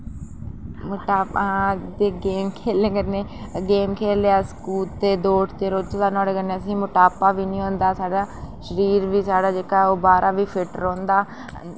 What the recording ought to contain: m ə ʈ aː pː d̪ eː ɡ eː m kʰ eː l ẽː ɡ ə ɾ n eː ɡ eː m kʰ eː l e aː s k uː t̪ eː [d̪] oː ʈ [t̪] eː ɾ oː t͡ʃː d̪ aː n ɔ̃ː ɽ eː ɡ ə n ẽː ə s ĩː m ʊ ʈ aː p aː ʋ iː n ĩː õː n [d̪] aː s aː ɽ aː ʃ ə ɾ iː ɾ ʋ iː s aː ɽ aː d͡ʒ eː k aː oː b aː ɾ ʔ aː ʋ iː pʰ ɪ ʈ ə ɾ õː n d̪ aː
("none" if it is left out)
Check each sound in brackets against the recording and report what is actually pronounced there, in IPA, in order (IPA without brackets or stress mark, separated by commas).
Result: d̪, t̪, d̪